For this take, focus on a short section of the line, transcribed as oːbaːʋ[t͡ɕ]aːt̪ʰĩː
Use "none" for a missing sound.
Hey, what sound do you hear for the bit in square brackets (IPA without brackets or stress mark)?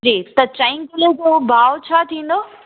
t͡ɕʰ